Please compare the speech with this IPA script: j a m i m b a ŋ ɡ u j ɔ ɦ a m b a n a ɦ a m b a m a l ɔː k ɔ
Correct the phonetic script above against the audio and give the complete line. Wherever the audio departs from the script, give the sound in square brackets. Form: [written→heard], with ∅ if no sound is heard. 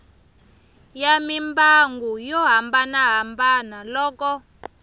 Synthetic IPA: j a m i m b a ŋ ɡ u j ɔ ɦ a m b a n a ɦ a m b a [m→n] a l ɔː k ɔ